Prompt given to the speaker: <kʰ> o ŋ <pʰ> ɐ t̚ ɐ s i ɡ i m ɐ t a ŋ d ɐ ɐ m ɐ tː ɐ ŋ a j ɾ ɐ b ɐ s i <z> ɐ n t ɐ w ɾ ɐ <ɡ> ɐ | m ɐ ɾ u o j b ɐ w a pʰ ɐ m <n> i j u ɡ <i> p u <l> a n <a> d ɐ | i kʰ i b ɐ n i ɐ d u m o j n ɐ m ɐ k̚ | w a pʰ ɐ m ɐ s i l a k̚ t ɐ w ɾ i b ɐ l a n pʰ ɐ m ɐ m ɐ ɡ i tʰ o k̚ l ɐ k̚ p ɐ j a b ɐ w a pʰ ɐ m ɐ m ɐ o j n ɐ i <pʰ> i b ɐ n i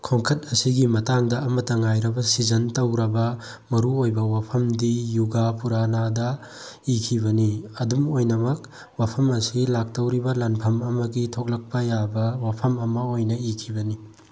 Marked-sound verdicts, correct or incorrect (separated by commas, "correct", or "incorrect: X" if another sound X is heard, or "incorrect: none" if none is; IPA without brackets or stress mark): correct, incorrect: kʰ, correct, incorrect: b, incorrect: d, incorrect: a, incorrect: ɾ, correct, incorrect: kʰ